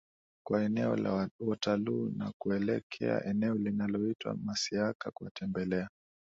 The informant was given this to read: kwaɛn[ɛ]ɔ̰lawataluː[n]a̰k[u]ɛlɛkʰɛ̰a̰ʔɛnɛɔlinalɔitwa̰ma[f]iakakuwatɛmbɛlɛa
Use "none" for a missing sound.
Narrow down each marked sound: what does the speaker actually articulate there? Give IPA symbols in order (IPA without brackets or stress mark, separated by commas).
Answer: ɛ, n, u, s